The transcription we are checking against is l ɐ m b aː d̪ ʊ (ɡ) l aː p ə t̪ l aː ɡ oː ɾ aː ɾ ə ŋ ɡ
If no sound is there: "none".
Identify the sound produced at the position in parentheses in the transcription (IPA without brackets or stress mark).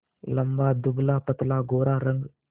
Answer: b